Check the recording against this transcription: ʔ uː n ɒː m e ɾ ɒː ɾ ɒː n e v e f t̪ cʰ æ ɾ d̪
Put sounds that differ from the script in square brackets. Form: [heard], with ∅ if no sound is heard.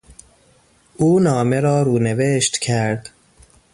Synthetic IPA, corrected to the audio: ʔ uː n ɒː m e ɾ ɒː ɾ [uː] n e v e [ʃ] t̪ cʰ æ ɾ d̪